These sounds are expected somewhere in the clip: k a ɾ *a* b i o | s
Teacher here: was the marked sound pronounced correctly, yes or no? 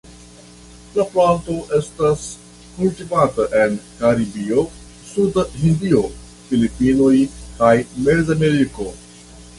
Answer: no